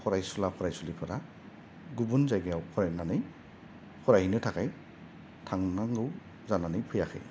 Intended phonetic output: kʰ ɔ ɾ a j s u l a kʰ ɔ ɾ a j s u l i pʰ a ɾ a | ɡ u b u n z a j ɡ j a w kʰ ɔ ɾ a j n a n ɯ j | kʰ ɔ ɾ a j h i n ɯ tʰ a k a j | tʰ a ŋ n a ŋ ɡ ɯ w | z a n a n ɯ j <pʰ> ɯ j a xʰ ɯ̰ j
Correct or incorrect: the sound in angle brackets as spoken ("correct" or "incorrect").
correct